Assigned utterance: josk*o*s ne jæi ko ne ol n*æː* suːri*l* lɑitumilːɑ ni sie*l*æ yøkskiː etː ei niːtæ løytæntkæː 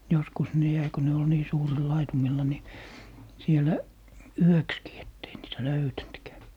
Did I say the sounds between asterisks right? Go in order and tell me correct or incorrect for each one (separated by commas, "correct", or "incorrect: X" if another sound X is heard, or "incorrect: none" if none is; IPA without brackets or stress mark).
incorrect: u, incorrect: iː, correct, correct